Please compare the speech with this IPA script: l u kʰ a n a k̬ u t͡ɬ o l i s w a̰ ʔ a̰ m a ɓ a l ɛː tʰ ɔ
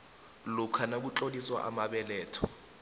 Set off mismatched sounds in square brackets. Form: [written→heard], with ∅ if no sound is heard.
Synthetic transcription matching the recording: l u kʰ a n a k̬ u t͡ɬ o l i s w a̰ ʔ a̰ m a ɓ [a→ɛ] l ɛː tʰ ɔ